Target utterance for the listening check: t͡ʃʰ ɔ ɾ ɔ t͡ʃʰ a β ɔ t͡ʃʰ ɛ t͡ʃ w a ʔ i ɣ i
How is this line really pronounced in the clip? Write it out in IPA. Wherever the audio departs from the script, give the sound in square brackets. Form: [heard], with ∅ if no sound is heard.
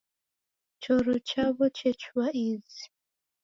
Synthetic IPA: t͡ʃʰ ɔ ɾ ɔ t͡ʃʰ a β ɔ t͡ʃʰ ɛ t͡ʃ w a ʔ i [z] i